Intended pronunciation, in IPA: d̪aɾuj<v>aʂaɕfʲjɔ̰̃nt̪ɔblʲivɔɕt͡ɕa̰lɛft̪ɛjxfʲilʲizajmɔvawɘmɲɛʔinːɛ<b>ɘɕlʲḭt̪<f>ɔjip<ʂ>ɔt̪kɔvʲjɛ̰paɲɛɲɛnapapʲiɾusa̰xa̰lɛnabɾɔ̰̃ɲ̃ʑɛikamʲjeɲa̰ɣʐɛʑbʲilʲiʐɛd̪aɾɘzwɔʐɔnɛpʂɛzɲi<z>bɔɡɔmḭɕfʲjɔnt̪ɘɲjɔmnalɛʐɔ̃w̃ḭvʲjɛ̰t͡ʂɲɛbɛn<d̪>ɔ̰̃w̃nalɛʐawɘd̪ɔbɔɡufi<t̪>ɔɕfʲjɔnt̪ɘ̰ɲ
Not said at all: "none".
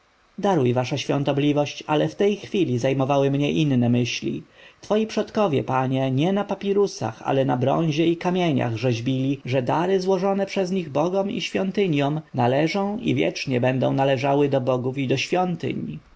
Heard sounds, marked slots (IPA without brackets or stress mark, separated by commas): v, m, f, ʂ, ɣ, d̪, d̪